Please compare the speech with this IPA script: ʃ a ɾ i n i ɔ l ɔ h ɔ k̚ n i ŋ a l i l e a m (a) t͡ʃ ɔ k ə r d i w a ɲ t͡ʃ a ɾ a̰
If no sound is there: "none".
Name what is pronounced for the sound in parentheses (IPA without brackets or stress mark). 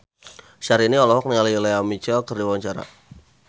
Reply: i